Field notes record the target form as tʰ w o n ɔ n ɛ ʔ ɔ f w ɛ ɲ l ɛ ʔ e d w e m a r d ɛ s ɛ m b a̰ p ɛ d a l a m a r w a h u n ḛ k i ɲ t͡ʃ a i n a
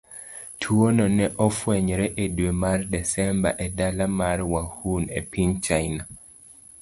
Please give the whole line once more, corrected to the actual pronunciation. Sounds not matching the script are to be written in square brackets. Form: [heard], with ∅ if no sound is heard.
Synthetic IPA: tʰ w o n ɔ n ɛ ʔ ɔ f w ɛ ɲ [ɾ] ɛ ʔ e d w e m a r d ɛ s ɛ m b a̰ [ʔ] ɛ d a l a m a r w a h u n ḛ [p] i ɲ t͡ʃ a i n a